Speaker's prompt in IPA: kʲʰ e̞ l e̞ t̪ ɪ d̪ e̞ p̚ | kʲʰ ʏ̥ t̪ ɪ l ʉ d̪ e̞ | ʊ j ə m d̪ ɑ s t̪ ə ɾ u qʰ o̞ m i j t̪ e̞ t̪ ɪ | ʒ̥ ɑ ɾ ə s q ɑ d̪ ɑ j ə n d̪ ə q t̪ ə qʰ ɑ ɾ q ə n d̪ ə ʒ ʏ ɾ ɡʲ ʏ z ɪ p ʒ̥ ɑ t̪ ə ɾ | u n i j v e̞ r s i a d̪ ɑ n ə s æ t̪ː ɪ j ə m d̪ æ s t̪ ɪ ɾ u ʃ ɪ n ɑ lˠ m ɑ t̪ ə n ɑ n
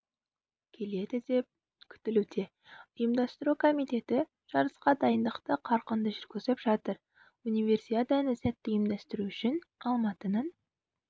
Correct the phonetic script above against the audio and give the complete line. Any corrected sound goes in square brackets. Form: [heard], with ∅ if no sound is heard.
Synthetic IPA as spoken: kʲʰ e̞ l e̞ [d̪] ɪ d̪ e̞ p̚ | kʲʰ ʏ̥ t̪ ɪ l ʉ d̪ e̞ | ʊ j ə m d̪ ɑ s t̪ ə ɾ u [kʰ] o̞ m i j t̪ e̞ t̪ ɪ | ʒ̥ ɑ ɾ ə s q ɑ d̪ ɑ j ə n d̪ ə q t̪ ə qʰ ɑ ɾ q ə n d̪ ə ʒ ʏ ɾ ɡʲ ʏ z ɪ p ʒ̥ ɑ t̪ ə ɾ | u n i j v e̞ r s i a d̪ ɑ n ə s æ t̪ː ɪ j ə m d̪ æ s t̪ ɪ ɾ u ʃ ɪ n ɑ lˠ m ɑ t̪ ə n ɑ n

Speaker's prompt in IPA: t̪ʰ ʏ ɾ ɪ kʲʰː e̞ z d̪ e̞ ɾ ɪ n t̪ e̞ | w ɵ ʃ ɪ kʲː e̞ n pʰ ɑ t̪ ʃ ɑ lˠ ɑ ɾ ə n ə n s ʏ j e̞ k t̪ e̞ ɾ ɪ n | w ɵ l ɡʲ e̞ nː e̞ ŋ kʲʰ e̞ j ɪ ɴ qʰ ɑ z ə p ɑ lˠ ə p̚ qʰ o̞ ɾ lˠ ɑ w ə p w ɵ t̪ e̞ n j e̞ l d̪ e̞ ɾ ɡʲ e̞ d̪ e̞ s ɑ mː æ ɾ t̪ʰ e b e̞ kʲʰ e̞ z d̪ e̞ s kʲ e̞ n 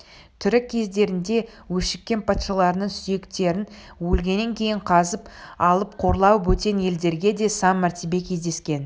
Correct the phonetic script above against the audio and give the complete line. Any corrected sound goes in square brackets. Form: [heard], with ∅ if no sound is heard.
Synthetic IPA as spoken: t̪ʰ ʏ ɾ ɪ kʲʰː e̞ z d̪ e̞ ɾ ɪ n [d̪] e̞ | w ɵ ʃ ɪ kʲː e̞ n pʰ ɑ t̪ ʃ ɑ lˠ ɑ ɾ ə n ə [ɴ] s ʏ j e̞ k t̪ e̞ ɾ ɪ n | w ɵ l ɡʲ e̞ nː e̞ ŋ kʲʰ e̞ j ɪ ɴ qʰ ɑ z ə p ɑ lˠ ə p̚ qʰ o̞ ɾ lˠ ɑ w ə p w ɵ t̪ e̞ n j e̞ l d̪ e̞ ɾ ɡʲ e̞ d̪ e̞ s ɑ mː æ ɾ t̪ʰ e b e̞ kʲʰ e̞ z d̪ e̞ s kʲ e̞ n

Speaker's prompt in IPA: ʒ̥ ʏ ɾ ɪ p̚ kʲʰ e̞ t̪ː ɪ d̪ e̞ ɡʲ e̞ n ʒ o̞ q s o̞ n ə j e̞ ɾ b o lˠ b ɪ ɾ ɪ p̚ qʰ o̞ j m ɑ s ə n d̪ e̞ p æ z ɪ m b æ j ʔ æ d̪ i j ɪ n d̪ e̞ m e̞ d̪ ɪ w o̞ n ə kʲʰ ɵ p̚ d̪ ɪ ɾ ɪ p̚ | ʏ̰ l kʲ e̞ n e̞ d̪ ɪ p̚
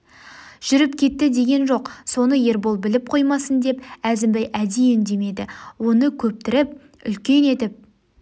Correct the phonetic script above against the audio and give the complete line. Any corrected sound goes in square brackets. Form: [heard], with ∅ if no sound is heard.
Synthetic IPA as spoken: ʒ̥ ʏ ɾ ɪ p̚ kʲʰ e̞ t̪ː ɪ d̪ e̞ ɡʲ e̞ n ʒ o̞ q s o̞ n ə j e̞ ɾ b o lˠ b ɪ [l] ɪ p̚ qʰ o̞ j m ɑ s ə n d̪ e̞ p æ z ɪ m b æ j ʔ æ d̪ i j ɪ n d̪ e̞ m e̞ d̪ ɪ w o̞ n ə kʲʰ ɵ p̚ [t̪] ɪ ɾ ɪ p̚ | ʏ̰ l kʲ e̞ n e̞ [t̪] ɪ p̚

